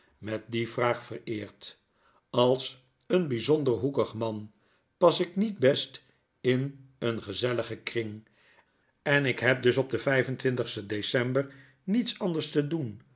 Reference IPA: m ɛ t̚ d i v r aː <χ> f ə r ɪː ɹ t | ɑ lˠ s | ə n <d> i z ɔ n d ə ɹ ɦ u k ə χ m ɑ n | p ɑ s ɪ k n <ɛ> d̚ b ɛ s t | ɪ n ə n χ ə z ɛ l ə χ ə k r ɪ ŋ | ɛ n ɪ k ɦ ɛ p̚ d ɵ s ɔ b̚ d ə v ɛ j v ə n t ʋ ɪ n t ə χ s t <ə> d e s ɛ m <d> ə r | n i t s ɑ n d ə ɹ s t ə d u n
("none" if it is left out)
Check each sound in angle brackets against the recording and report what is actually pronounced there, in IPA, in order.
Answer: χ, b, i, ə, b

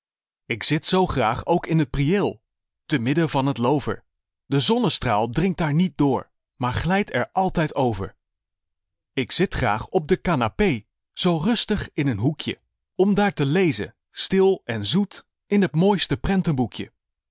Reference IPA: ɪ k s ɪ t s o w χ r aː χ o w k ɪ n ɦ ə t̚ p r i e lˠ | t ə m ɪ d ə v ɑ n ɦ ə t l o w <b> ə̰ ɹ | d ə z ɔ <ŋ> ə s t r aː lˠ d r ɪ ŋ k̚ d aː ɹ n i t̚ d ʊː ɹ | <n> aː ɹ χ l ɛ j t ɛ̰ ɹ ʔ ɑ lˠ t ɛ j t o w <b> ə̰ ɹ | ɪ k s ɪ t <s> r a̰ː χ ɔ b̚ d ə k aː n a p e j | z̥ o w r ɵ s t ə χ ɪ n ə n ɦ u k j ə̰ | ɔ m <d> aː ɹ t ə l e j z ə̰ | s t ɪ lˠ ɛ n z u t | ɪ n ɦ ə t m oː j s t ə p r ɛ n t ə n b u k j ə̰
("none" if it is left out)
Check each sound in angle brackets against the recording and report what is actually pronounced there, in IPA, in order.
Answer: v, n, m, v, χ, d

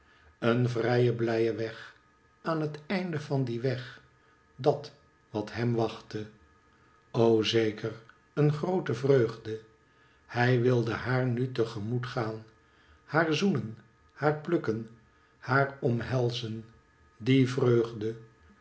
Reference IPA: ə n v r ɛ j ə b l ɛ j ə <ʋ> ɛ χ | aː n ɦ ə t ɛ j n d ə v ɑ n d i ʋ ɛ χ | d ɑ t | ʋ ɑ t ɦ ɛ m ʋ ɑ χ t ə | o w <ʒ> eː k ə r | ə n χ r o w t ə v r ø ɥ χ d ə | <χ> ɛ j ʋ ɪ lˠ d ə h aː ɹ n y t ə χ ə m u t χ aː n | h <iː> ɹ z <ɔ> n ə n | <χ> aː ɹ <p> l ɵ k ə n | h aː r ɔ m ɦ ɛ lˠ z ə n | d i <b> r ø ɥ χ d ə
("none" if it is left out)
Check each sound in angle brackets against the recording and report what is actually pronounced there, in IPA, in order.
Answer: ʋ, z, h, aː, u, h, p, v

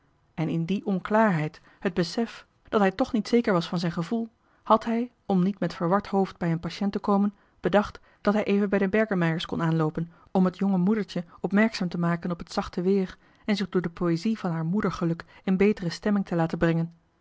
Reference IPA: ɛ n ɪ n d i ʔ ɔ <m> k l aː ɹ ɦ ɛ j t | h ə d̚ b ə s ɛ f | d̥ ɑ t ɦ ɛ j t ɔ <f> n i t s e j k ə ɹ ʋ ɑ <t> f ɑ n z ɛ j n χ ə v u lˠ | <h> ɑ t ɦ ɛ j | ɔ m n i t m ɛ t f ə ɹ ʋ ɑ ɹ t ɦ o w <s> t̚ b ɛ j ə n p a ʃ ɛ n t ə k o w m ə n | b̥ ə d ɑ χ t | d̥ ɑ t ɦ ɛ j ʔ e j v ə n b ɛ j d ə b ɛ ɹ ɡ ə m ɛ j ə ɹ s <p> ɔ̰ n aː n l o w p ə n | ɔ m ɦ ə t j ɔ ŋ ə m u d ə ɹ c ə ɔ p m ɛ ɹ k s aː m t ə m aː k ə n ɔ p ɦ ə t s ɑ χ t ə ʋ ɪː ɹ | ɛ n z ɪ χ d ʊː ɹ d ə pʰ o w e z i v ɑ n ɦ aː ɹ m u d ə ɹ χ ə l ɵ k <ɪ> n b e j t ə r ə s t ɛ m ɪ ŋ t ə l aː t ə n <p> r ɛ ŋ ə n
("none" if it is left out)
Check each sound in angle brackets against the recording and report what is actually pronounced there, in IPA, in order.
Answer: n, χ, s, h, f, k, ɪ, b

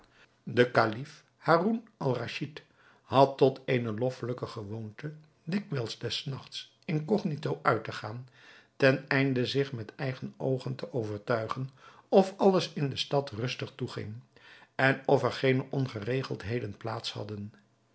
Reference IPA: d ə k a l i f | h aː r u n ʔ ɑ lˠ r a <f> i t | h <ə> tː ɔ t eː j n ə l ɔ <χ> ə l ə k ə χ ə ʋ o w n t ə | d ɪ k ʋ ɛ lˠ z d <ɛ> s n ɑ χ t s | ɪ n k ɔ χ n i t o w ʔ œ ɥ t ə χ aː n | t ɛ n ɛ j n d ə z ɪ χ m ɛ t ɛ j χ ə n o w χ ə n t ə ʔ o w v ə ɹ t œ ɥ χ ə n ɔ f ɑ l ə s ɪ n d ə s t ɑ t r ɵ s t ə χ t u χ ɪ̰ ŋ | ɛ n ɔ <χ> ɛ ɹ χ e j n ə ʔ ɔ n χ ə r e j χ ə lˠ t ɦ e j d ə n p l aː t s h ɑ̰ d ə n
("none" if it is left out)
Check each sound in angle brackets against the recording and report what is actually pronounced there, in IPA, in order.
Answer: ʃ, ɑ, f, ɛ, f

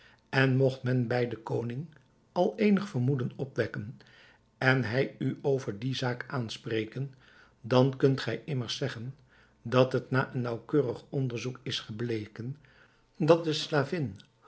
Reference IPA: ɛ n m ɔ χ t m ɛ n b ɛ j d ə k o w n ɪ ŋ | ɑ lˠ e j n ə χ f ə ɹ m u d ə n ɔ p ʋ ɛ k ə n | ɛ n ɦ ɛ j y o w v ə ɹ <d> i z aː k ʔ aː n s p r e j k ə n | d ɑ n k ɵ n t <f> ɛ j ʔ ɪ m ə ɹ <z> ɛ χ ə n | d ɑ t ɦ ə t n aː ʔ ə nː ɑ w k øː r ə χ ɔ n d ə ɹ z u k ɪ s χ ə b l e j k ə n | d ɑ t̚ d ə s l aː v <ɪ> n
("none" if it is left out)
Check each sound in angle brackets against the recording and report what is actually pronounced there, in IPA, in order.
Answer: d, χ, s, ɪ

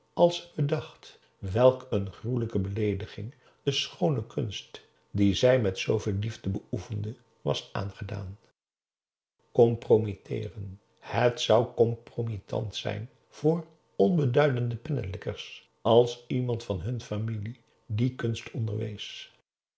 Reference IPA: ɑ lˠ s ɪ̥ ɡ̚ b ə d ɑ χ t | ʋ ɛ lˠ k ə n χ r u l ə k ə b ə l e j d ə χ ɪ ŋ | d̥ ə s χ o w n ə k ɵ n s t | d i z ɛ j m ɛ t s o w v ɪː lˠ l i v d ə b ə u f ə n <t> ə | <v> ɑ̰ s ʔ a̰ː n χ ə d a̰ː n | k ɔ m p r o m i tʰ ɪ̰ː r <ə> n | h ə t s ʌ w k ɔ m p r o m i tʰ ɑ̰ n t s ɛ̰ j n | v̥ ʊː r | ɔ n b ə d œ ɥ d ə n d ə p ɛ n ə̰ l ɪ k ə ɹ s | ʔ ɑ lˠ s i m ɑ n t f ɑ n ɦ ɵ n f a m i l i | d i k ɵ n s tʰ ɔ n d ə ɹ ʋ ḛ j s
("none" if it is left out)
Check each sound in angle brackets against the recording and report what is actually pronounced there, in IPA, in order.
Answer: d, ʋ, ə

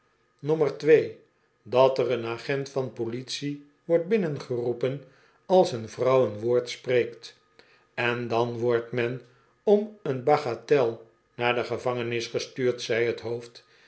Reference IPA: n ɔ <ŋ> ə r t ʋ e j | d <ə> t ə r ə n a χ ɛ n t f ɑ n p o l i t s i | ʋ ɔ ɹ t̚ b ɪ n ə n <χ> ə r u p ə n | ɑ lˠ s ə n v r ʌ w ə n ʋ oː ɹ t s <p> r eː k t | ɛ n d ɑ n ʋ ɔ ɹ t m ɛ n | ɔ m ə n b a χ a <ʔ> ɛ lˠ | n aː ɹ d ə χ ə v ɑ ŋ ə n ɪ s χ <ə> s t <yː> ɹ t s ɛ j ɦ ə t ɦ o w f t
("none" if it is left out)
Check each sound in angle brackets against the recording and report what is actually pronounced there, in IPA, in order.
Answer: m, ɑ, χ, p, t, ə, yː

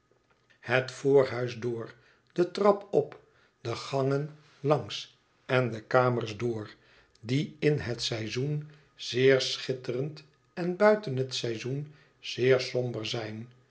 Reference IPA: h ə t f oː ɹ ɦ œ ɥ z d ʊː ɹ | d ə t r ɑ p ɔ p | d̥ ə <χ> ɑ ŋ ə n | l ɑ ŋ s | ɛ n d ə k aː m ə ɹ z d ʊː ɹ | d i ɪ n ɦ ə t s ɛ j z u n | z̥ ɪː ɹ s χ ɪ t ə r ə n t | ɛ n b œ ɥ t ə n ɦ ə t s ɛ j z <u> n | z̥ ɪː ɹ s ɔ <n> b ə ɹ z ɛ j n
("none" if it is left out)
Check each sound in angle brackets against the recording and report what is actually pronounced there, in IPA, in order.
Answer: χ, u, m

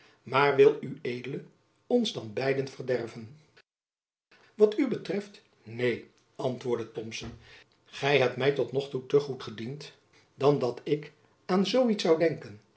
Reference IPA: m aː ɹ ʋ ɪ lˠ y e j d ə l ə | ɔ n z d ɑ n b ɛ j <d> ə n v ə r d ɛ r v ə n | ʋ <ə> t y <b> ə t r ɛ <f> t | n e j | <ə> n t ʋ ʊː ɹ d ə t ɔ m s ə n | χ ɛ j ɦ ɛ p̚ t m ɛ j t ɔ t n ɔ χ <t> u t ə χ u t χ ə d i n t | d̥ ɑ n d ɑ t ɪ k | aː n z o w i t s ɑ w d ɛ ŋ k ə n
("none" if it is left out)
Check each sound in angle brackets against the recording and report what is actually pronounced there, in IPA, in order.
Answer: d, ɑ, b, f, ɑ, t

